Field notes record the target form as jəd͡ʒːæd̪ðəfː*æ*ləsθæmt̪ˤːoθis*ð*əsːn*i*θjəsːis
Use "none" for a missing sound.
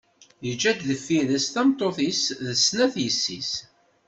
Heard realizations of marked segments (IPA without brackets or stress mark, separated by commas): i, ð, æ